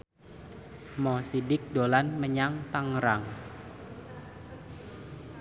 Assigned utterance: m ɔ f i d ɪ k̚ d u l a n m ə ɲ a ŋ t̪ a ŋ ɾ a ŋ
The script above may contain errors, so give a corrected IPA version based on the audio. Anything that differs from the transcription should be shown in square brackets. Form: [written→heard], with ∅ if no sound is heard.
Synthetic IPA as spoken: m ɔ [f→s] i d ɪ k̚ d [u→o] l a n m ə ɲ a ŋ t̪ a ŋ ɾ a ŋ